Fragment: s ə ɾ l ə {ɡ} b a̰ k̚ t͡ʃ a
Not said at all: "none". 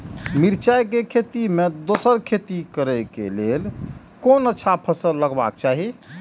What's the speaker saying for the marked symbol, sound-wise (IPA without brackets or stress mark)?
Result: ɡ